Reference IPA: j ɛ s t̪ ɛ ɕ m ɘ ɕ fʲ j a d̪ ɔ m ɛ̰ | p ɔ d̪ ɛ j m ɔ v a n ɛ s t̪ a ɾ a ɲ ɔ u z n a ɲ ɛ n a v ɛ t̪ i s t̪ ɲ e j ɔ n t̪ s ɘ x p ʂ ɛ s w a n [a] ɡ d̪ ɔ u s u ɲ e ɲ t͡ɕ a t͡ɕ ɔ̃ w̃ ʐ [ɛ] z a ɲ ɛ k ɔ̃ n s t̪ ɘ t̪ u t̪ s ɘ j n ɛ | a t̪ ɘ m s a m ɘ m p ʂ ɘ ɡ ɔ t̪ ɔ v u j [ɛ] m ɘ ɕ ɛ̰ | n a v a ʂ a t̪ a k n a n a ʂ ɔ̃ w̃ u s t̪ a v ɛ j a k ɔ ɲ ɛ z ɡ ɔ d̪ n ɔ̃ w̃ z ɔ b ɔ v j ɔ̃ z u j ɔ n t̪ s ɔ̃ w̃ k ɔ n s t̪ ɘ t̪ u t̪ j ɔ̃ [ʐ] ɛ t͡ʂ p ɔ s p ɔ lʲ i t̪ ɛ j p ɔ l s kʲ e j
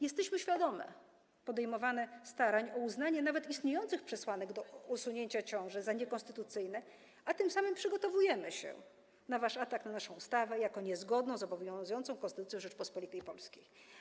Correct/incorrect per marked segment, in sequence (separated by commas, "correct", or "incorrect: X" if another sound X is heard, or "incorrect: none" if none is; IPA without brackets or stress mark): incorrect: ɛ, correct, correct, correct